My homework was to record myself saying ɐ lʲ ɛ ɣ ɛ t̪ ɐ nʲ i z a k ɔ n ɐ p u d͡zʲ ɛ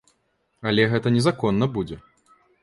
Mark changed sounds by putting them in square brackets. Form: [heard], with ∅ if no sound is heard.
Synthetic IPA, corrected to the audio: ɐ lʲ ɛ ɣ ɛ t̪ ɐ nʲ [ɛ] z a k ɔ [nː] ɐ [b] u d͡zʲ ɛ